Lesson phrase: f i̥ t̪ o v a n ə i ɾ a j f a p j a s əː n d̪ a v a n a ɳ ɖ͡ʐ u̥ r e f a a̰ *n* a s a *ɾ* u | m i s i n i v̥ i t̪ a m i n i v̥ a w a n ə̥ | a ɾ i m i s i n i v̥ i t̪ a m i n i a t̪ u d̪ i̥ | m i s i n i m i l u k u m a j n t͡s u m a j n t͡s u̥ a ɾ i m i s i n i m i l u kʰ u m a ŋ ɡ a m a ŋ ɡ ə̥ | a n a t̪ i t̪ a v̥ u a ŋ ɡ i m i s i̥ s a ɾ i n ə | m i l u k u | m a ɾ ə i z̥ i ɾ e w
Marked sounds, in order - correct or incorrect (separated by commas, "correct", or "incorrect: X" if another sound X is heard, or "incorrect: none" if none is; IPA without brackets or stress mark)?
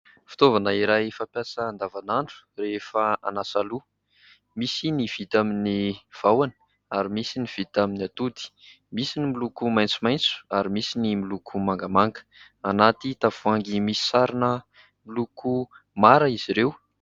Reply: correct, incorrect: l